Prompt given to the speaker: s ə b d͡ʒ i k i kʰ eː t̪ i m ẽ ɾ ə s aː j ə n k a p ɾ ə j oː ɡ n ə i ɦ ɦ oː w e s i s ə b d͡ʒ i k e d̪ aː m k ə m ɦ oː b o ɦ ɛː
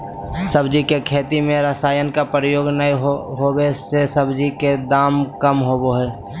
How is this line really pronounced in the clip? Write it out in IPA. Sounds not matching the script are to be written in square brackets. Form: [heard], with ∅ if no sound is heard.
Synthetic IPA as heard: s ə b d͡ʒ i k [e] kʰ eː t̪ i m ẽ ɾ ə s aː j ə n k a p ɾ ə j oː ɡ n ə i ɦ ɦ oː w e s [e] s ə b d͡ʒ i k e d̪ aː m k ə m ɦ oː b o ɦ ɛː